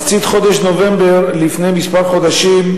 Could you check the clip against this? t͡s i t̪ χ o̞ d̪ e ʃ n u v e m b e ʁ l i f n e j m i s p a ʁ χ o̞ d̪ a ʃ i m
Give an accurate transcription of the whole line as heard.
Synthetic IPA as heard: t͡s i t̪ χ o̞ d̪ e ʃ n o v e m b e ʁ l i f n e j m i s p a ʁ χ o̞ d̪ a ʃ i m